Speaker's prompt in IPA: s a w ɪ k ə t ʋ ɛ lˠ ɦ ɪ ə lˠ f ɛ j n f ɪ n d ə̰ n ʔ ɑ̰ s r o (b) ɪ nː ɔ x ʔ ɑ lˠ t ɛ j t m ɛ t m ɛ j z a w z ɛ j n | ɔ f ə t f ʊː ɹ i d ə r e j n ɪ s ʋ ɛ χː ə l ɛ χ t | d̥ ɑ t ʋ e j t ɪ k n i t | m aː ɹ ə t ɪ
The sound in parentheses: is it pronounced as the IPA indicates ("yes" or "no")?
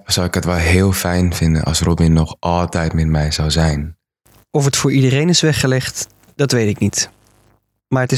yes